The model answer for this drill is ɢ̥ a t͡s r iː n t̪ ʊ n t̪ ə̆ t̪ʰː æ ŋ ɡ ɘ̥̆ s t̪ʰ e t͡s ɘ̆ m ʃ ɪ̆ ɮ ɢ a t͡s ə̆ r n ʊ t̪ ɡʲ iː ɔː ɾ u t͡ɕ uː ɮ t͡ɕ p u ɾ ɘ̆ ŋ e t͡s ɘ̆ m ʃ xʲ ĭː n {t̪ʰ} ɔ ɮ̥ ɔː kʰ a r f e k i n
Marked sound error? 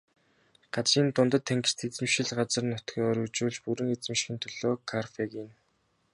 no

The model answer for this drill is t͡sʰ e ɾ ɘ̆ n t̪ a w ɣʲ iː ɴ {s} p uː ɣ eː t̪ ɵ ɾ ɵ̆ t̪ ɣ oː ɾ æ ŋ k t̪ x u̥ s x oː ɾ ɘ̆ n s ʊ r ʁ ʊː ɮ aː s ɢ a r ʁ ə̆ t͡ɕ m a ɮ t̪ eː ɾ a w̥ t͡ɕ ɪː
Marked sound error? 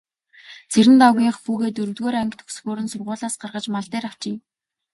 yes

